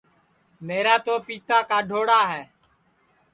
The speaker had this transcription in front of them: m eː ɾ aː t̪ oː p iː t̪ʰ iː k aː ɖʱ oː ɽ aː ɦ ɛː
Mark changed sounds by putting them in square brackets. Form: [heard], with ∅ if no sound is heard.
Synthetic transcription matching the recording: m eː ɾ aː t̪ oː p iː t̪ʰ [aː] k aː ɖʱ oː ɽ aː ɦ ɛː